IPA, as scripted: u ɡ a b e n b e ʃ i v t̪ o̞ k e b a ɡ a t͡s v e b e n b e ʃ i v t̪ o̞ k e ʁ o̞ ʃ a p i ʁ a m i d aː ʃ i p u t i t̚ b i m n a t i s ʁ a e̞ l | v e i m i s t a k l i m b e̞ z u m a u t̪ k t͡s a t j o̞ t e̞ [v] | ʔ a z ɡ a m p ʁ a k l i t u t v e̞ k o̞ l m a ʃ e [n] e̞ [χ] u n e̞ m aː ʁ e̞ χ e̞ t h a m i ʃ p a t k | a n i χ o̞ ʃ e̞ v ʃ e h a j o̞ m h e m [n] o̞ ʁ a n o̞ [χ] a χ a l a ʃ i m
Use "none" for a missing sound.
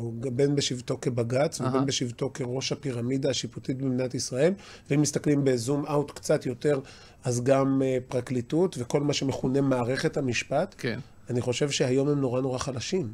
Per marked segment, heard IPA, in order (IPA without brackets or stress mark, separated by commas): ʁ, m, χ, n, ʁ